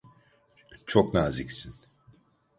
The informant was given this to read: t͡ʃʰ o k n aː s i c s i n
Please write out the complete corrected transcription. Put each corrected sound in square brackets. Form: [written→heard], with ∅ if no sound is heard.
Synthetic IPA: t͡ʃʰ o k n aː [s→z] i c s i n

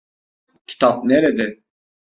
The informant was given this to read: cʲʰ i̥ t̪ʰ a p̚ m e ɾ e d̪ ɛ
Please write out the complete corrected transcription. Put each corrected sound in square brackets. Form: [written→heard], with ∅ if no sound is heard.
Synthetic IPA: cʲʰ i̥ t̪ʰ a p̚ [m→n] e ɾ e d̪ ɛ

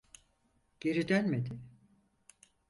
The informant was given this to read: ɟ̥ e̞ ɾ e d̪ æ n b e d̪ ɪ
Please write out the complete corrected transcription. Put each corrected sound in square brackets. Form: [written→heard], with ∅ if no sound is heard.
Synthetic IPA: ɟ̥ e̞ ɾ [e→i] d̪ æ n [b→m] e d̪ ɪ

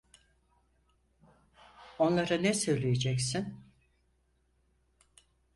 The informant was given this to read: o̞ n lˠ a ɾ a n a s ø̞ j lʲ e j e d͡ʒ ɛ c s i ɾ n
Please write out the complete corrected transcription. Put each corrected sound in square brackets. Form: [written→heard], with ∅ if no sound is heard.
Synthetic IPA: o̞ n lˠ a ɾ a n [a→ɛ] s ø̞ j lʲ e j e d͡ʒ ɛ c s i [ɾ→∅] n

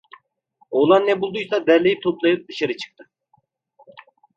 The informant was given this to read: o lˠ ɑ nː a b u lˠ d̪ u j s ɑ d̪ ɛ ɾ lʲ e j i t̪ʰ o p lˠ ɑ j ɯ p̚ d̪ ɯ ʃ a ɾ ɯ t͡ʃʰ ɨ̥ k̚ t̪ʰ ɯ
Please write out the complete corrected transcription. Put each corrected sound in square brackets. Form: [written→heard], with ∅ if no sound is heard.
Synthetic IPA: o lˠ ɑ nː [a→ɛ] b u lˠ d̪ u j s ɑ d̪ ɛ ɾ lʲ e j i t̪ʰ o p lˠ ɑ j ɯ p̚ d̪ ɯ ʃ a ɾ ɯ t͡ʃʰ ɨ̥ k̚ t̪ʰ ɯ

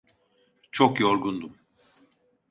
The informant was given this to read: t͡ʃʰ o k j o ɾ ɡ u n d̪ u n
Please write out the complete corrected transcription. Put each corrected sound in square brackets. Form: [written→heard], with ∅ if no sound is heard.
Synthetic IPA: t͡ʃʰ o k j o ɾ ɡ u n d̪ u [n→m]

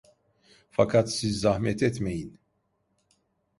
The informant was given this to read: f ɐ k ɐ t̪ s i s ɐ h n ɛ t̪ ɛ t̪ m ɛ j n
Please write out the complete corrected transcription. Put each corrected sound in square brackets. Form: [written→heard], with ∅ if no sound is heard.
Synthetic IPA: f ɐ k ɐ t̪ s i [s→z] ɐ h [n→m] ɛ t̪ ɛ t̪ m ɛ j n

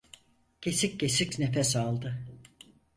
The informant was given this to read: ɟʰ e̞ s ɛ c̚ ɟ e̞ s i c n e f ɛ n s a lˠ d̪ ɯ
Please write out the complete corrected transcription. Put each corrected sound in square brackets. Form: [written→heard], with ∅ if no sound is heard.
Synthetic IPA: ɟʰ e̞ s [ɛ→i] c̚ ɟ e̞ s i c n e f ɛ [n→∅] s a lˠ d̪ ɯ

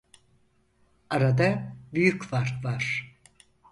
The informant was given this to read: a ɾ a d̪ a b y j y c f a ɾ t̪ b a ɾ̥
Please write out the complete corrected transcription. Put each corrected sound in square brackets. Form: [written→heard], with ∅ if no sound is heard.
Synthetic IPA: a ɾ a d̪ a b y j y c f a ɾ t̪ [b→v] a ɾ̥

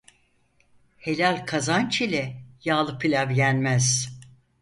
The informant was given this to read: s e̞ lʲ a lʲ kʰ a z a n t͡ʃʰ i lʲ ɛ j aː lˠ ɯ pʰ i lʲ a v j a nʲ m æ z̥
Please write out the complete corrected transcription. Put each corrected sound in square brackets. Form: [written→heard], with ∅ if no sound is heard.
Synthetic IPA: [s→h] e̞ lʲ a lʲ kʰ a z a n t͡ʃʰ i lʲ ɛ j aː lˠ ɯ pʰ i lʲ a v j [a→æ] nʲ m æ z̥

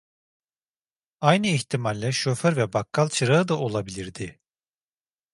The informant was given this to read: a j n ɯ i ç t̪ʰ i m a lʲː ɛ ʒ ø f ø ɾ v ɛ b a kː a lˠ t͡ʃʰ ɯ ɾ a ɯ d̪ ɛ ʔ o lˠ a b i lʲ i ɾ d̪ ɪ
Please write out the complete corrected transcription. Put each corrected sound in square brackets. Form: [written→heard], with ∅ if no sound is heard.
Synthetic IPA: a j n ɯ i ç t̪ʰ i m a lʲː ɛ [ʒ→ʃ] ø f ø ɾ v ɛ b a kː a lˠ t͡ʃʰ ɯ ɾ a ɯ d̪ [ɛ→a] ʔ o lˠ a b i lʲ i ɾ d̪ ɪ

